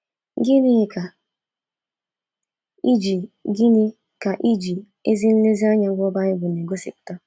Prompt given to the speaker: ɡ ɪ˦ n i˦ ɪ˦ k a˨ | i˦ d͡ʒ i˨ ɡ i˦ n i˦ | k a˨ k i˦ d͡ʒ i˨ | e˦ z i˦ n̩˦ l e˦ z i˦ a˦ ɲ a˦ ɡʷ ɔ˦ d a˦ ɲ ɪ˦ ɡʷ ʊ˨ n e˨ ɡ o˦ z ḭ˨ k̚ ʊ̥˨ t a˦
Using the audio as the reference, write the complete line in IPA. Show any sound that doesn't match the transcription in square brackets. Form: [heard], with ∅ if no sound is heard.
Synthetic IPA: ɡ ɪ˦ n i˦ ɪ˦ k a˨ | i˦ d͡ʒ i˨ ɡ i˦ n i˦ | k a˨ [ʔ] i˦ d͡ʒ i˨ | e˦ z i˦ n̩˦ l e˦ z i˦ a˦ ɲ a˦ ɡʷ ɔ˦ [b] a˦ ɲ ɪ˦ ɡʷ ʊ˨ n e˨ ɡ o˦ [s] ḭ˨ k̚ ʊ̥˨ t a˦